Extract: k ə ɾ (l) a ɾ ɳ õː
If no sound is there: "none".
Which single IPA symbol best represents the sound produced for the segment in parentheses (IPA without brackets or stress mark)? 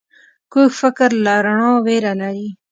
l